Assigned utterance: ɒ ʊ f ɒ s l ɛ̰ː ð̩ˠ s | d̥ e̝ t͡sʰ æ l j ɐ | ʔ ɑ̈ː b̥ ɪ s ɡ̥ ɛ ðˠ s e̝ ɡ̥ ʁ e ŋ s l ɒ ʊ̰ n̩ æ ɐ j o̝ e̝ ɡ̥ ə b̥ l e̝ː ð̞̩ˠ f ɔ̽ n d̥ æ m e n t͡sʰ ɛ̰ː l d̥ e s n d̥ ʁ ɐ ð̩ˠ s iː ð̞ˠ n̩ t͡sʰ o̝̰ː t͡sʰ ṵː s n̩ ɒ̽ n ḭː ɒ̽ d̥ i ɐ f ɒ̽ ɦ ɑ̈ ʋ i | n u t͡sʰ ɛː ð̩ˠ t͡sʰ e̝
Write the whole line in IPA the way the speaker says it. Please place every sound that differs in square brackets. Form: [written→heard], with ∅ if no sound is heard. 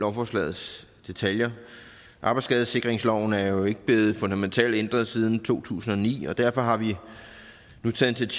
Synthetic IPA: ɒ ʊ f ɒ s l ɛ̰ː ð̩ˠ s | d̥ e̝ t͡sʰ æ l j ɐ | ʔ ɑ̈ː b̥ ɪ s ɡ̥ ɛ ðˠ s e̝ ɡ̥ ʁ e ŋ s l ɒ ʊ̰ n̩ æ ɐ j o̝ e̝ ɡ̥ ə b̥ l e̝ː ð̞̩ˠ f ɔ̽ n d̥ æ m e n t͡sʰ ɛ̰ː l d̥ e [s→∅] n d̥ ʁ ɐ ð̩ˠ s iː ð̞ˠ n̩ t͡sʰ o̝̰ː t͡sʰ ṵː s n̩ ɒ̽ n ḭː ɒ̽ d̥ [i→æ] ɐ f ɒ̽ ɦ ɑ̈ ʋ i | n u t͡sʰ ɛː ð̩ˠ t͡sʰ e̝